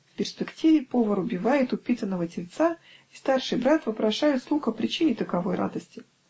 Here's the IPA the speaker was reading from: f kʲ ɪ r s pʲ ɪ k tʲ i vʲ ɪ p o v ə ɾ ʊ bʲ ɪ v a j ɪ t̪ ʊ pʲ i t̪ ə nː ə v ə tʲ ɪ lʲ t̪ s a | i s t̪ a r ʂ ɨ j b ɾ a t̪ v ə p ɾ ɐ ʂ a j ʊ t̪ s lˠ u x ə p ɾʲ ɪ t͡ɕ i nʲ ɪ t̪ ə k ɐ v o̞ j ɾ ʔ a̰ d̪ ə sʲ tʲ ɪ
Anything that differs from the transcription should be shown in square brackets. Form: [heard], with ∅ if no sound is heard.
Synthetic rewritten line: f [pʲ] ɪ r s pʲ ɪ k tʲ i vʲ ɪ p o v ə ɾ ʊ bʲ ɪ v a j ɪ t̪ ʊ pʲ i t̪ ə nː ə v ə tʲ ɪ lʲ t̪ s a | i s t̪ a r ʂ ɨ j b ɾ a t̪ v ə p ɾ ɐ ʂ a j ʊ t̪ s lˠ u x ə p ɾʲ ɪ t͡ɕ i nʲ ɪ t̪ ə k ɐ v o̞ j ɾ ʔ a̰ d̪ ə sʲ tʲ ɪ